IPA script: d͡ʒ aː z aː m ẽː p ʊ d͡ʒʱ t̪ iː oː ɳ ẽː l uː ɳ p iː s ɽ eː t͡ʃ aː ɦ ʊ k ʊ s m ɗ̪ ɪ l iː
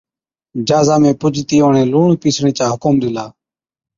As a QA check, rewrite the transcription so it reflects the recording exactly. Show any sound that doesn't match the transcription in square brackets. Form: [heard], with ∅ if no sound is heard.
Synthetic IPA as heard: d͡ʒ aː z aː m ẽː p ʊ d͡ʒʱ t̪ iː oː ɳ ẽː l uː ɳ p iː s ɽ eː t͡ʃ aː ɦ ʊ k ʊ [∅] m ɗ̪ ɪ l [aː]